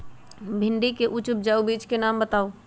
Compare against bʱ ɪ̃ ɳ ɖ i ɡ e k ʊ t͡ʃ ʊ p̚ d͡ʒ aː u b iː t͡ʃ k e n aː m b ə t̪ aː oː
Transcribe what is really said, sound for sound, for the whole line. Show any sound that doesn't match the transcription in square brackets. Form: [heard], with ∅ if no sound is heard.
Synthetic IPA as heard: bʱ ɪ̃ ɳ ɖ i [k] e [ʔ] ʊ t͡ʃ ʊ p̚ d͡ʒ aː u b iː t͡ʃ k e n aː m b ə t̪ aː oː